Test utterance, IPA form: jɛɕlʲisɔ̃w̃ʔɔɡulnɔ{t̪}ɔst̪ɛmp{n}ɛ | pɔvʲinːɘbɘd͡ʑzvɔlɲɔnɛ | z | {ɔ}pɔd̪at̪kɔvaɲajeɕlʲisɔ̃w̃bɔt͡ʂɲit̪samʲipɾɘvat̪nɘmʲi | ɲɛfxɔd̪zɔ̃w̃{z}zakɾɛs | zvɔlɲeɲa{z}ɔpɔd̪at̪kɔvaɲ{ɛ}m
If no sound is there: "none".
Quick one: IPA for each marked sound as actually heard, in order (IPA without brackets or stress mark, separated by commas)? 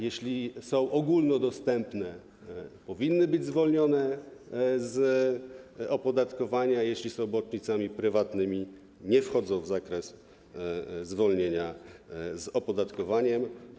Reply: d̪, n, ɔ, v, z, ɛ